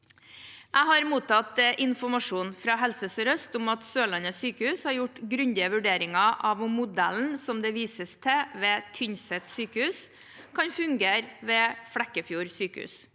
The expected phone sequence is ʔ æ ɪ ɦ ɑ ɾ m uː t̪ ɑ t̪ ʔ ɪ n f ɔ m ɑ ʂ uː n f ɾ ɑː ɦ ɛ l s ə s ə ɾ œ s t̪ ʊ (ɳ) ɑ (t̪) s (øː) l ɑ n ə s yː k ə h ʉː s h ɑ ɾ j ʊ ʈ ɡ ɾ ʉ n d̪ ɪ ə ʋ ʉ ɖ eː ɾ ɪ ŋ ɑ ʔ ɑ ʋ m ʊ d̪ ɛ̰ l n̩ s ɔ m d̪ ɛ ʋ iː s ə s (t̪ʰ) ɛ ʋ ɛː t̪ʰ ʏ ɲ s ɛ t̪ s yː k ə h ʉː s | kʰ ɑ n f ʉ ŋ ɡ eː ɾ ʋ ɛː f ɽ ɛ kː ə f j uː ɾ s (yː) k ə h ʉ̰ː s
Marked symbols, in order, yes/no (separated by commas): no, yes, yes, yes, yes